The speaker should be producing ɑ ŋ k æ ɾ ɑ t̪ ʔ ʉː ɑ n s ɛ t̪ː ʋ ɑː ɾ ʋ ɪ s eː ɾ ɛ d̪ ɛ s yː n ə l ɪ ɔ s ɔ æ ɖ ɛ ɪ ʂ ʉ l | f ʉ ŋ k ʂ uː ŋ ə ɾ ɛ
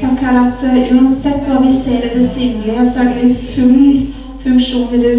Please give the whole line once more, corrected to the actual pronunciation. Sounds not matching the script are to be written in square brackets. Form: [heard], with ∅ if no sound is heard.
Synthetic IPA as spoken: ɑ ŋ k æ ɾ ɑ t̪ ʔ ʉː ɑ n s ɛ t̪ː ʋ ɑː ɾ ʋ ɪ s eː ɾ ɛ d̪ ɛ s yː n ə l ɪ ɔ s ɔ æ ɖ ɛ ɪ [f] ʉ l | f ʉ ŋ k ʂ uː [n] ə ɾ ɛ